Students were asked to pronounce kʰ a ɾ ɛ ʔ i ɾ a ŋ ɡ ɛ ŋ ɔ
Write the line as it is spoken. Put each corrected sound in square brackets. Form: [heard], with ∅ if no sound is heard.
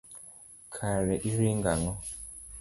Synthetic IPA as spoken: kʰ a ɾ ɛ ʔ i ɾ [i] ŋ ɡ [a] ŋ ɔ